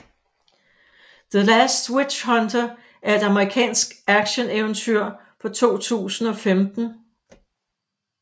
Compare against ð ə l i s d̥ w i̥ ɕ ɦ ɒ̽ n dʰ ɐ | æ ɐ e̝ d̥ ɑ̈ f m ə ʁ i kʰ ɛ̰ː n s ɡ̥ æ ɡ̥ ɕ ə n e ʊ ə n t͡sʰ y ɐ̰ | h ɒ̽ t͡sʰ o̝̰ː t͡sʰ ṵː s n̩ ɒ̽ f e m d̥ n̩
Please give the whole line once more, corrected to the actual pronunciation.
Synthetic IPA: ð ə l æ s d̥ w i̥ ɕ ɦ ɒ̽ n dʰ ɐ | æ ɐ e̝ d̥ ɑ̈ m ə ʁ i kʰ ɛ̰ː n s ɡ̥ æ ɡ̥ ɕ ə n e ʊ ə n t͡sʰ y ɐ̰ | f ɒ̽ t͡sʰ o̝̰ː t͡sʰ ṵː s n̩ ɒ̽ f e m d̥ n̩

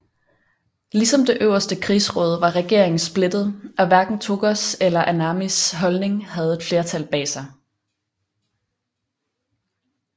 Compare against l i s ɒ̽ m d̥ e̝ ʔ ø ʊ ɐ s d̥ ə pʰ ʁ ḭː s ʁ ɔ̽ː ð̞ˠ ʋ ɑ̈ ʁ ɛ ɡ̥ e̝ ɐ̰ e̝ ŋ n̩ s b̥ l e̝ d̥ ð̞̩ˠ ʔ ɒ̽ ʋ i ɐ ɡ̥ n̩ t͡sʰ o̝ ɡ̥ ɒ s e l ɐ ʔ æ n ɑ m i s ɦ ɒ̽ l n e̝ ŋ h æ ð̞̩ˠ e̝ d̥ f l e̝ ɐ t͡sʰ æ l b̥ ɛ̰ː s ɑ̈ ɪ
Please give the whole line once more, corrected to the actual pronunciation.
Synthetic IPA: l i s ɒ̽ m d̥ e̝ ʔ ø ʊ ɐ s d̥ ə kʰ ʁ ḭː s ʁ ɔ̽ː ð̞ˠ ʋ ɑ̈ ʁ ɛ ɡ̥ e̝ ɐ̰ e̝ ŋ n̩ s b̥ l e̝ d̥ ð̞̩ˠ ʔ ɒ̽ ʋ æ ɐ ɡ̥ n̩ t͡sʰ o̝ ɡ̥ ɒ s e l ɐ ʔ æ n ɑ m i s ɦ ɒ̽ l n e̝ ŋ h æ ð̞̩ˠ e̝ d̥ f l e̝ ɐ t͡sʰ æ l b̥ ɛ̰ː s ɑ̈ ɪ

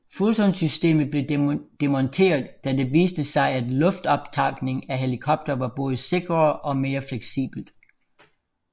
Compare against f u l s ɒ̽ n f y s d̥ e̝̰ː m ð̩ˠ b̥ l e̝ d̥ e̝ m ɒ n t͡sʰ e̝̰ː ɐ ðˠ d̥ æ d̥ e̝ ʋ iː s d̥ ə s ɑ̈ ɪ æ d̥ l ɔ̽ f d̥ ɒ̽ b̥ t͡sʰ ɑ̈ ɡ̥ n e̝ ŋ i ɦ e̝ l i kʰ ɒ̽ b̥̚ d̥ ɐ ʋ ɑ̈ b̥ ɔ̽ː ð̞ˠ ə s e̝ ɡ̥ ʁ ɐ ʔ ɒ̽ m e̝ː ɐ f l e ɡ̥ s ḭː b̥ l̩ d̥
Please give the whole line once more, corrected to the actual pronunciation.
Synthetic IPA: f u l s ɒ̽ n s y s d̥ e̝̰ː m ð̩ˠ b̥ l e̝ d̥ e̝ m ɒ n t͡sʰ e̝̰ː ɐ ðˠ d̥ æ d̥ e̝ ʋ iː s d̥ ə s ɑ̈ ɪ æ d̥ l ɔ̽ f d̥ ɒ̽ b̥ t͡sʰ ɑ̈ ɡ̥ n e̝ ŋ æ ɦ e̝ l i kʰ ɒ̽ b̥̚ d̥ ɐ ʋ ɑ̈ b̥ ɔ̽ː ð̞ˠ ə s e̝ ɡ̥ ʁ ɐ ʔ ɒ̽ m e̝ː ɐ f l e ɡ̥ s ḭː b̥ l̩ d̥

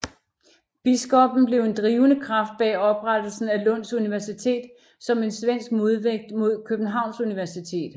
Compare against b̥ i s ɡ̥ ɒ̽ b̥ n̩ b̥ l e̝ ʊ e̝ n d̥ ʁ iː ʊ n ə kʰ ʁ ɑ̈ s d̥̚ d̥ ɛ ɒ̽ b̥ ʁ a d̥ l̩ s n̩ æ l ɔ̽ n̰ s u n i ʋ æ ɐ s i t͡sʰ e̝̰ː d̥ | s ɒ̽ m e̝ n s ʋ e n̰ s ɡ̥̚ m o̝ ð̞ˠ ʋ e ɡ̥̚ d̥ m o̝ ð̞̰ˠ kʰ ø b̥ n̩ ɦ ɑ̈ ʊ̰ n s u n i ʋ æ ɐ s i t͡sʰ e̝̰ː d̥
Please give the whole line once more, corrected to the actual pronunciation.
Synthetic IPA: b̥ i s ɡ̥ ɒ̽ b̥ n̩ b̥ l e̝ ʊ e̝ n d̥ ʁ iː ʊ n ə kʰ ʁ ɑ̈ f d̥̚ b̥ ɛ ɒ̽ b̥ ʁ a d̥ l̩ s n̩ æ l ɔ̽ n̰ s u n i ʋ æ ɐ s i t͡sʰ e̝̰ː d̥ | s ɒ̽ m e̝ n s ʋ e n̰ s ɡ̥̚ m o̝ ð̞ˠ ʋ e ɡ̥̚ d̥ m o̝ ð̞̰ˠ kʰ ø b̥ n̩ ɦ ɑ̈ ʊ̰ n s u n i ʋ æ ɐ s i t͡sʰ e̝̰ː d̥

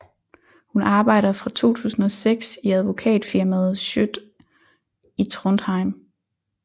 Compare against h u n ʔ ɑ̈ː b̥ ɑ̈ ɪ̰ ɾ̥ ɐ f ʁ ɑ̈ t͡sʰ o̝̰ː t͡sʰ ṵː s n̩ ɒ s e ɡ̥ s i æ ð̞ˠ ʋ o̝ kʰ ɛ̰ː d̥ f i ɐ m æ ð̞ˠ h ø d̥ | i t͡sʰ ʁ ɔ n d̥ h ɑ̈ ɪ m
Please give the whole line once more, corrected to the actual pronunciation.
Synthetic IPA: h u n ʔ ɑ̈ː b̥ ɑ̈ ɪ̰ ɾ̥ ɐ f ʁ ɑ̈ t͡sʰ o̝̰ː t͡sʰ ṵː s n̩ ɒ s e ɡ̥ s i æ ð̞ˠ ʋ o̝ kʰ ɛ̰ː d̥ f i ɐ m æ ð̞ˠ ɕ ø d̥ | i t͡sʰ ʁ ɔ n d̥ h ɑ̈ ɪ m

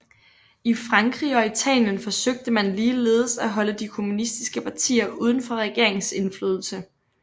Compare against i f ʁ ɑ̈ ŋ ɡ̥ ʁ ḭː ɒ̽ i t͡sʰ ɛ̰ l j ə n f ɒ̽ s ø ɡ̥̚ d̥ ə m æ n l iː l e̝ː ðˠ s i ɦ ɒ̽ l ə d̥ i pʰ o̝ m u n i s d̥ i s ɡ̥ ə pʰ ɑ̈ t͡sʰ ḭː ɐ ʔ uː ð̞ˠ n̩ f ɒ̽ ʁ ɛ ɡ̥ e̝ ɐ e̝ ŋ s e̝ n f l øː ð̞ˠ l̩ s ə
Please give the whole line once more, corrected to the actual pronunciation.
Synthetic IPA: i f ʁ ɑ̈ ŋ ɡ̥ ʁ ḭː ɒ̽ i t͡sʰ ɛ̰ l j ə n f ɒ̽ s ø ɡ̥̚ d̥ ə m æ n l iː l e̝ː ðˠ s æ ɦ ɒ̽ l ə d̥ i kʰ o̝ m u n i s d̥ i s ɡ̥ ə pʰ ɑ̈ t͡sʰ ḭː ɐ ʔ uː ð̞ˠ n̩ f ɒ̽ ʁ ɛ ɡ̥ e̝ ɐ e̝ ŋ s e̝ n f l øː ð̞ˠ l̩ s ə

